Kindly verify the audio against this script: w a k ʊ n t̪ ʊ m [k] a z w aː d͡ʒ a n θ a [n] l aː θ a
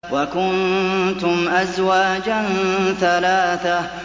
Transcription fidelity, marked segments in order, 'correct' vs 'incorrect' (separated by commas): incorrect, incorrect